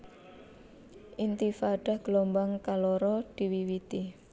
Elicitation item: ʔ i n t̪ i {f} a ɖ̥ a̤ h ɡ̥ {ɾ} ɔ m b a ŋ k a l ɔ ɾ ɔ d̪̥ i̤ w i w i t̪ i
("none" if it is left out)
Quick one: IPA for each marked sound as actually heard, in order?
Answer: f, l

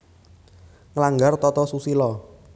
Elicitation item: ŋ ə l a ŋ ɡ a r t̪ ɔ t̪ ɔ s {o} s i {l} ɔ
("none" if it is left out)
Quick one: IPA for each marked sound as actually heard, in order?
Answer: u, l

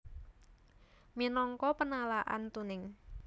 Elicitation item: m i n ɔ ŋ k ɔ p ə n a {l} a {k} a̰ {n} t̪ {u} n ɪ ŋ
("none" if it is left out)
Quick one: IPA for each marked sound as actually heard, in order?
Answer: l, ʔ, n, u

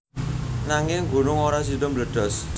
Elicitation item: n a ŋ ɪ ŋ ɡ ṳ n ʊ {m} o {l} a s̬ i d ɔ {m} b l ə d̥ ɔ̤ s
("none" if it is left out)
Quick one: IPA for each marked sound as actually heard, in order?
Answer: ŋ, ɾ, m

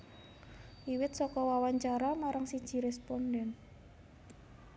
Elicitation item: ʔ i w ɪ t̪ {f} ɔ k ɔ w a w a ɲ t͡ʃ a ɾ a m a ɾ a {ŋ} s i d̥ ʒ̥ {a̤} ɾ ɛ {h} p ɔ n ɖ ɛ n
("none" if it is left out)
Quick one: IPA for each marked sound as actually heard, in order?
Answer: s, ŋ, i̤, s

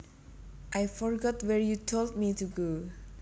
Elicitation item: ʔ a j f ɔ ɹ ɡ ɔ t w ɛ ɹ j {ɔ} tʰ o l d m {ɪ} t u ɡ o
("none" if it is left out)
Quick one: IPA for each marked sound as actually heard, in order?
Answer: u, i

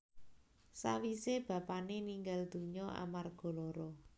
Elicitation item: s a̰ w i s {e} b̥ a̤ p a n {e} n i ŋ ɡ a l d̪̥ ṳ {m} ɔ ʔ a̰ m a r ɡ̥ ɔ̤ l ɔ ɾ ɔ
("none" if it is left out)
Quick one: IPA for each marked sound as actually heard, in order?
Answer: e, e, ɲ

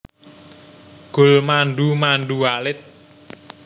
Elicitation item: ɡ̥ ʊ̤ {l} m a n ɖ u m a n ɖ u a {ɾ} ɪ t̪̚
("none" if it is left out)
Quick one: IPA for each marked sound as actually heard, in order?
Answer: l, l

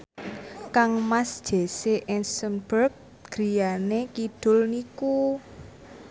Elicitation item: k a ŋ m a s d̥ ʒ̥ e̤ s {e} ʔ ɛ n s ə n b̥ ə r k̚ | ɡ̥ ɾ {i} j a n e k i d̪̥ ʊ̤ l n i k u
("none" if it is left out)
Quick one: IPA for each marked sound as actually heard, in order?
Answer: e, i

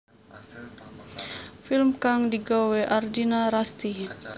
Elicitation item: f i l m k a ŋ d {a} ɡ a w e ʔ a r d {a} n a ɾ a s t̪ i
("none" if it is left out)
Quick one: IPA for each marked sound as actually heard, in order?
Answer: i, i

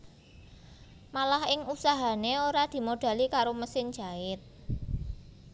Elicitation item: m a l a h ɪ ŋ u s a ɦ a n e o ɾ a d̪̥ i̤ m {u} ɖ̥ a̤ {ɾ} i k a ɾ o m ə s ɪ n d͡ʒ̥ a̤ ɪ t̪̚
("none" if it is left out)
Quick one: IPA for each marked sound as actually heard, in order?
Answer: o, l

